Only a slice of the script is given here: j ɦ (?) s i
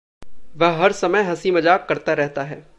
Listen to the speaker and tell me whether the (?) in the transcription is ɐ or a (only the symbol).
ɐ